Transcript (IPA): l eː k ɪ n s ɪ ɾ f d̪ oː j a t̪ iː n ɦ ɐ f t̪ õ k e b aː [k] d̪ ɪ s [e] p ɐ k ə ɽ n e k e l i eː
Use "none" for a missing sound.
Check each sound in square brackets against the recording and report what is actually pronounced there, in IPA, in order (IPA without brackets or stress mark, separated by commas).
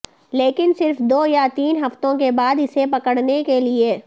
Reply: none, e